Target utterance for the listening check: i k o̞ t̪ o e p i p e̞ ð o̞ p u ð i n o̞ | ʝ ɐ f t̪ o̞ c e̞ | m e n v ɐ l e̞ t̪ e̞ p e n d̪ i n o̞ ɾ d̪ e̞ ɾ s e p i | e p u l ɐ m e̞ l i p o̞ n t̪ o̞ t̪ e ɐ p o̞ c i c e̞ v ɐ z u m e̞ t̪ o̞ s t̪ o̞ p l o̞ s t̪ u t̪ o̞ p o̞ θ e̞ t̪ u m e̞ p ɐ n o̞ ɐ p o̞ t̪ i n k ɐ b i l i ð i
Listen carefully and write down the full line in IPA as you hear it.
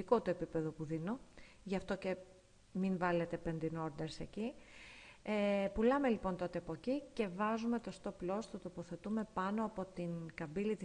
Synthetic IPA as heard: i k o̞ t̪ o e p i p e̞ ð o̞ p u ð i n o̞ | ʝ ɐ f t̪ o̞ c e̞ | m i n v ɐ l e̞ t̪ e̞ p e n d̪ i n o̞ ɾ d̪ e̞ ɾ s e c i | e p u l ɐ m e̞ l i p o̞ n t̪ o̞ t̪ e ɐ p o̞ c i c e̞ v ɐ z u m e̞ t̪ o̞ s t̪ o̞ p l o̞ s t̪ u t̪ o̞ p o̞ θ e̞ t̪ u m e̞ p ɐ n o̞ ɐ p o̞ t̪ i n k ɐ b i l i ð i